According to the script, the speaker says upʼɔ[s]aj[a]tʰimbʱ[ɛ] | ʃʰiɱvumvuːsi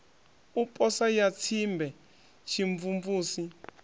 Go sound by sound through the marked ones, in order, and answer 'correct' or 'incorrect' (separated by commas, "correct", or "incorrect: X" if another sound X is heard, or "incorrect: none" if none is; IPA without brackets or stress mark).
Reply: correct, correct, correct